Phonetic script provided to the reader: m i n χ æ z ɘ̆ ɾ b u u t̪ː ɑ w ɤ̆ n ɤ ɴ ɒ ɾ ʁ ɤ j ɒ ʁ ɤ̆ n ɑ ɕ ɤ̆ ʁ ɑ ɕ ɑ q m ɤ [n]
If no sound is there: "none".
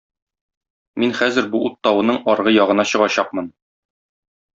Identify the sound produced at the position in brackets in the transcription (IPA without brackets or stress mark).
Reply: n